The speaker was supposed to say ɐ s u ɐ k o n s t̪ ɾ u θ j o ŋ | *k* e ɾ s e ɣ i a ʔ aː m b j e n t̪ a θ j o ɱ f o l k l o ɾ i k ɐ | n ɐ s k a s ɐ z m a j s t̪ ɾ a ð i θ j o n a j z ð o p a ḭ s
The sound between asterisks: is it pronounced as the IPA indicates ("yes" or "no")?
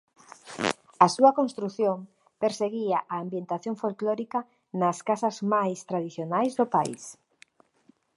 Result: no